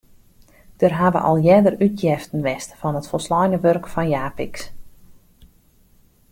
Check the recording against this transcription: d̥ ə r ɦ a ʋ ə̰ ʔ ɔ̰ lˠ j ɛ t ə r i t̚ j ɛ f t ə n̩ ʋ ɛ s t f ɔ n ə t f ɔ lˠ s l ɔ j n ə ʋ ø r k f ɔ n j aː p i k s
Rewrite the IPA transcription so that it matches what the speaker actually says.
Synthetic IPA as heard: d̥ ə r ɦ a ʋ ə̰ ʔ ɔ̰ lˠ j ɛ d ə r y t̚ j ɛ f t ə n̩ ʋ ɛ s t f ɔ n ə t f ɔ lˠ s l ɔ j n ə ʋ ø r k f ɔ n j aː p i k s

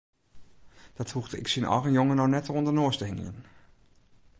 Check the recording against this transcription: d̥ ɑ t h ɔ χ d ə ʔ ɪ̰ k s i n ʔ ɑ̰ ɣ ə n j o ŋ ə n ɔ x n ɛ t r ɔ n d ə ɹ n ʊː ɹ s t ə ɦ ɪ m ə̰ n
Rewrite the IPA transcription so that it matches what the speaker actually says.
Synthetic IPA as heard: d̥ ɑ t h u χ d ə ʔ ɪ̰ k s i n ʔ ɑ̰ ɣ ə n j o ŋ ə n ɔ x n ɛ t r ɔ n d ə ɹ n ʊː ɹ s t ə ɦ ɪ ŋ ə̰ n

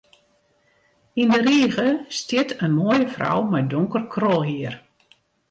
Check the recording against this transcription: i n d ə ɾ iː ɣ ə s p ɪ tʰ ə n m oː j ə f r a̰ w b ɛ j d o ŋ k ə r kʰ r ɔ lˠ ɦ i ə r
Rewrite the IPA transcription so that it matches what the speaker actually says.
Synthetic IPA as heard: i n d ə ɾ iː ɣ ə s t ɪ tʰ ə n m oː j ə f r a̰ w m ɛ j d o ŋ k ə r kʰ r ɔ lˠ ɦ i ə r

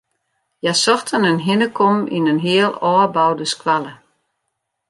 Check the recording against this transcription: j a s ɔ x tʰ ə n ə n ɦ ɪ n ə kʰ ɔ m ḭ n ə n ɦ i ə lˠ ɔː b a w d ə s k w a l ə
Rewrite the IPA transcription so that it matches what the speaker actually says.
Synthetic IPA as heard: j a s ɔ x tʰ ə n ə n ɦ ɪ n ə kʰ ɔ m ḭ n ə n ɦ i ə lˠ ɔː b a w d ə s k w a l ə

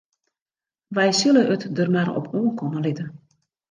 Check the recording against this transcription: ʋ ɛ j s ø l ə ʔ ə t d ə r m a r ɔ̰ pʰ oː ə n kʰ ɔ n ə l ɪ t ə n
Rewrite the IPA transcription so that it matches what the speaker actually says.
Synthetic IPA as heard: ʋ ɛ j s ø l ə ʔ ə t d ə r m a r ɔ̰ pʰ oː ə n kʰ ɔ n ə l ɪ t ə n

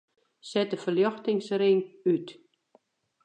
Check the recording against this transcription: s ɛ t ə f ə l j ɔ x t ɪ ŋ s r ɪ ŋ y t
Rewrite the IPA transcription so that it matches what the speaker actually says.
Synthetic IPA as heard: s ɛ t ə f ə l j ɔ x t ɪ ŋ s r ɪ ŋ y t

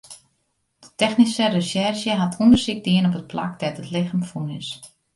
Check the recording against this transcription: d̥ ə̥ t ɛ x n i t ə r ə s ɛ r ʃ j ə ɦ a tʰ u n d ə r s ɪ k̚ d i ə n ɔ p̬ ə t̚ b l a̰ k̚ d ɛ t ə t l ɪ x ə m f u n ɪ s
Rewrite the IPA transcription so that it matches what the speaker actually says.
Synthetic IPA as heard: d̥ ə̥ t ɛ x n i s ə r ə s ɛ r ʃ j ə ɦ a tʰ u n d ə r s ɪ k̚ d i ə n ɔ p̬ ə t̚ p l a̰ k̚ d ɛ t ə t l ɪ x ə m f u n ɪ s

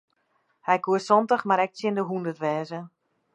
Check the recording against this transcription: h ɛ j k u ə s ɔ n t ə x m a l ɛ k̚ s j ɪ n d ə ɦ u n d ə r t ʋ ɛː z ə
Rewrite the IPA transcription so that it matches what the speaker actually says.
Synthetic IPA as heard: h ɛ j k u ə s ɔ n t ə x m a ɾ ɛ k̚ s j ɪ n d ə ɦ u n d ə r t ʋ ɛː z ə

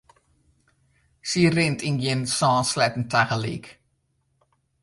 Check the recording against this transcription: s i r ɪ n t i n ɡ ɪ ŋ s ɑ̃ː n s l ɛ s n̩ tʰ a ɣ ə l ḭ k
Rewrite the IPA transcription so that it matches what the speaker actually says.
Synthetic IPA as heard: s i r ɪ n t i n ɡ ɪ n s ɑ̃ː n s l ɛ t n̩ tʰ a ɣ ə l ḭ k

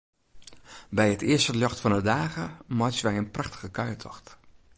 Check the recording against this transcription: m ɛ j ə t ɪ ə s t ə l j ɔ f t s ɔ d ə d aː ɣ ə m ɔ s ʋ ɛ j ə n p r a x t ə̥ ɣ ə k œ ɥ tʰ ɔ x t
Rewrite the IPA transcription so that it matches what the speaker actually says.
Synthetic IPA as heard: b ɛ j ə t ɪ ə s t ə l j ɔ x t f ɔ n ə d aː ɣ ə m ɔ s ʋ ɛ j ə n p r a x t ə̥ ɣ ə k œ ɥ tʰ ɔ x t

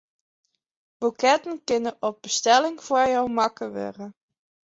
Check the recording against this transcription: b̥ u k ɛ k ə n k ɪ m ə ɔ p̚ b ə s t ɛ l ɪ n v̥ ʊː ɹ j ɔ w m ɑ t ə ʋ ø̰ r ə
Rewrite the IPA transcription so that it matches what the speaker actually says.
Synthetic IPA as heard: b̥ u k ɛ t ə n k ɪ n ə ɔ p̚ b ə s t ɛ l ɪ ŋ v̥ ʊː ɹ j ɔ w m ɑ k ə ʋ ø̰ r ə

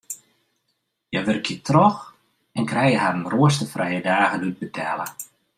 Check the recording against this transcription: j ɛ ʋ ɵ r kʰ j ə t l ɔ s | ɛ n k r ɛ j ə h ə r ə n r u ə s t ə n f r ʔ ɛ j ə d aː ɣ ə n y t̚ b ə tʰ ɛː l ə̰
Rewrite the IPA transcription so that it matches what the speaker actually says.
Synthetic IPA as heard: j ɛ ʋ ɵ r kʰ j ə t r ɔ x | ɛ n k r ɛ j ə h a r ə n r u ə s t ə f r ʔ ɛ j ə d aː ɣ ə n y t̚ b ə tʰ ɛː l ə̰

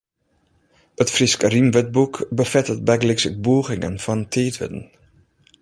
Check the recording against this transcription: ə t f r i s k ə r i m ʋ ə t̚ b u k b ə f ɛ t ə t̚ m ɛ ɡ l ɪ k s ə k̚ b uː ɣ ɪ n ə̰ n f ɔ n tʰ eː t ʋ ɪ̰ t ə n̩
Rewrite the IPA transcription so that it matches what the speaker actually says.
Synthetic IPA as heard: ə t f r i s k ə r i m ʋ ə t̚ b u k b ə f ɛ t ə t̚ b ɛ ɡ l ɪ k s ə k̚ b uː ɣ ɪ ŋ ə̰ n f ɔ n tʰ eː t ʋ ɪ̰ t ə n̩

